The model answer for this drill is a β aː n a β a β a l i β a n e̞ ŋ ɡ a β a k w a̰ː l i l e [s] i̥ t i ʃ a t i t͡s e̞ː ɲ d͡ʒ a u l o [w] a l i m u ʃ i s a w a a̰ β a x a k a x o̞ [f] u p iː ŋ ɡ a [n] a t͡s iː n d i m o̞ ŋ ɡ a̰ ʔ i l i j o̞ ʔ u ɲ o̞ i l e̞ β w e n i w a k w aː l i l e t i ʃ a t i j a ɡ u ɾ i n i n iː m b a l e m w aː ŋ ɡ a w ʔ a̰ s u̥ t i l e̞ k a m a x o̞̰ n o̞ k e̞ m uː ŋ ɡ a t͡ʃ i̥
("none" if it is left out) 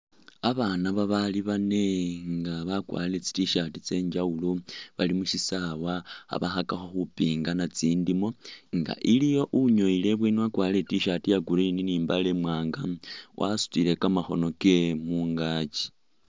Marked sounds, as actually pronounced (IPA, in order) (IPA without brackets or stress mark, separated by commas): t͡s, β, x, n